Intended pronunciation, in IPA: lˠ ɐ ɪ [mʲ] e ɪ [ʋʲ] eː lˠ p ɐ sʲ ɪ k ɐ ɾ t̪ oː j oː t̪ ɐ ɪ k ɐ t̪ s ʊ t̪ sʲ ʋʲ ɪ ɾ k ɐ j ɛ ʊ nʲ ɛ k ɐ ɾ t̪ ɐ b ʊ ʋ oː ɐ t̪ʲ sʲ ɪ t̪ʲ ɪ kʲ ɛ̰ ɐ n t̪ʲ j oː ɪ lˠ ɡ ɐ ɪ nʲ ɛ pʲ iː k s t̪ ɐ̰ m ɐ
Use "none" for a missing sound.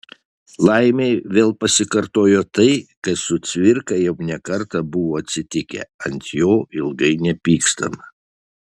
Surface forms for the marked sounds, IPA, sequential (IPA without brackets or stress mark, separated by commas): mʲ, ʋʲ